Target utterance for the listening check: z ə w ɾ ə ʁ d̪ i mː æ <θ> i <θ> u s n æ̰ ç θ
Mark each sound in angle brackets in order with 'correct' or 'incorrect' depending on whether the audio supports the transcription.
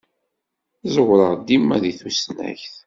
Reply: incorrect: ð, correct

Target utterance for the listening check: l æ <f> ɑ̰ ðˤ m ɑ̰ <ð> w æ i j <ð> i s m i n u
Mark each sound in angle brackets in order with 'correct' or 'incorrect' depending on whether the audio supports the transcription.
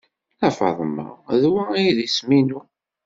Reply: correct, correct, correct

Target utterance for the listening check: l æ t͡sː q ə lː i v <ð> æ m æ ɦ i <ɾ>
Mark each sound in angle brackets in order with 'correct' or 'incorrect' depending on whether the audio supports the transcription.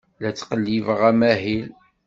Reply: incorrect: ʁ, incorrect: l

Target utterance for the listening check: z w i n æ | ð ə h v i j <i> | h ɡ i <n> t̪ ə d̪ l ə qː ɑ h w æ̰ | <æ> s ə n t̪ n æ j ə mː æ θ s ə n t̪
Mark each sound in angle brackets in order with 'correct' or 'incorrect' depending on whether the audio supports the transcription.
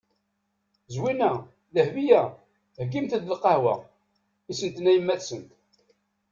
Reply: incorrect: æ, incorrect: m, incorrect: i

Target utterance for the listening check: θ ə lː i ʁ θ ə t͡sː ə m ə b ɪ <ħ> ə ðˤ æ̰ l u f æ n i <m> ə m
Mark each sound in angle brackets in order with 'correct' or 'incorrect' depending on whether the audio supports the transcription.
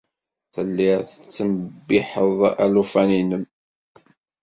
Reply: correct, incorrect: n

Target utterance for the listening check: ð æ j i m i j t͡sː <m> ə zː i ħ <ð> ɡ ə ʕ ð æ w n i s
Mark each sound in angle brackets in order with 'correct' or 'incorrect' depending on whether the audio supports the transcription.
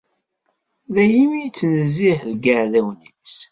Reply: incorrect: n, correct

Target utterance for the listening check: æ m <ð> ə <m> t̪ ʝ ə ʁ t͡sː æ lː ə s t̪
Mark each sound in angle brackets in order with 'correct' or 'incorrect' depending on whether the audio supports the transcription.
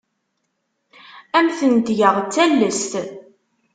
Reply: incorrect: θ, incorrect: n

